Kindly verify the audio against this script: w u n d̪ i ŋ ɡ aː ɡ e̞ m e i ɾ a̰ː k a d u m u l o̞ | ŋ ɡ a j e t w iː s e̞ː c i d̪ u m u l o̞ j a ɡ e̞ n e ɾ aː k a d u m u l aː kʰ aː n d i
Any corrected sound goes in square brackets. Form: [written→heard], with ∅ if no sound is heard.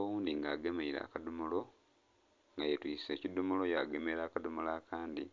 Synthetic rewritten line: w [u→uː] n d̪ i ŋ ɡ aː ɡ e̞ m e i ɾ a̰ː k a d u m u l o̞ | ŋ ɡ a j e t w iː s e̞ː c i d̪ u m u l o̞ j a ɡ e̞ [n→m] e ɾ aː k a d u m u l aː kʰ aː n d i